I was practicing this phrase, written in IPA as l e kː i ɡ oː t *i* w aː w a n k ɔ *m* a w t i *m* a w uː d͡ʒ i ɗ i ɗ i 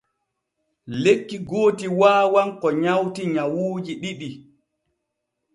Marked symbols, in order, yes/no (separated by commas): yes, no, no